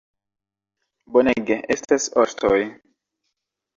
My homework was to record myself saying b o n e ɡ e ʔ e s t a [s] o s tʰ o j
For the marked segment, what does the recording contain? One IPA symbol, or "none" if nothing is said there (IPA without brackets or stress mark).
s